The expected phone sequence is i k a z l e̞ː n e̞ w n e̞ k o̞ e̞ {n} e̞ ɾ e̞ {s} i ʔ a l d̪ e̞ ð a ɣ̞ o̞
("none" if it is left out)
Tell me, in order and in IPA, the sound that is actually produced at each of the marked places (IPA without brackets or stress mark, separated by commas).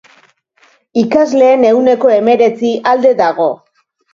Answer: m, t͡s